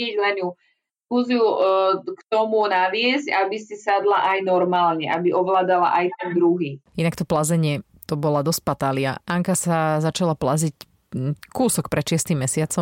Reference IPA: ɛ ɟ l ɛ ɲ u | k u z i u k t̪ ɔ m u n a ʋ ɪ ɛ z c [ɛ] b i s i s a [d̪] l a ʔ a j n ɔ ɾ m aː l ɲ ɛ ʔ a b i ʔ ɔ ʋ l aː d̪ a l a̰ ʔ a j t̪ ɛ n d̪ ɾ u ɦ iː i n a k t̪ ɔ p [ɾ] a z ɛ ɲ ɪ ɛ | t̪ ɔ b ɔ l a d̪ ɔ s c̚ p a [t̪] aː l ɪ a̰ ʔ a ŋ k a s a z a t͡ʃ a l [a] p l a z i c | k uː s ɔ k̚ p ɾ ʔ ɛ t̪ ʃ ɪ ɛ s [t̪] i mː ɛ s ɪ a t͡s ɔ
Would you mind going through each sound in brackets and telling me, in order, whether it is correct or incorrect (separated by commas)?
incorrect, correct, incorrect, correct, correct, correct